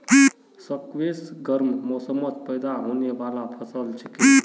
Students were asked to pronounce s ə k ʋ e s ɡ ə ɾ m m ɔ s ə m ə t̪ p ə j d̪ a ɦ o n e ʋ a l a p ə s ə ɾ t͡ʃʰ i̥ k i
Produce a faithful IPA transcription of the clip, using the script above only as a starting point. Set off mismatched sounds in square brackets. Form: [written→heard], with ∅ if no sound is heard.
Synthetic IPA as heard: s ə k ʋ e s ɡ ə ɾ m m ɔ s ə m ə t̪ p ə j d̪ a ɦ o n e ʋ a l a [p→pʰ] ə s ə [ɾ→l] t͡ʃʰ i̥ k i